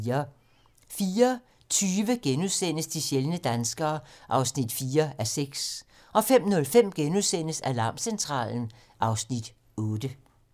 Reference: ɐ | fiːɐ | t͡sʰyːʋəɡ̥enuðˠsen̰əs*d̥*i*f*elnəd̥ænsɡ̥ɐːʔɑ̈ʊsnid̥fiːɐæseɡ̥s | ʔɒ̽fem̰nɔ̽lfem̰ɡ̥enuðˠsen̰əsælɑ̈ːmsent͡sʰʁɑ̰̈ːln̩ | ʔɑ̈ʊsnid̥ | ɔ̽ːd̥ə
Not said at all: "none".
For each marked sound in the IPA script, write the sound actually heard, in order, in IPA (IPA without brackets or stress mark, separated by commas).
d̥, ɕ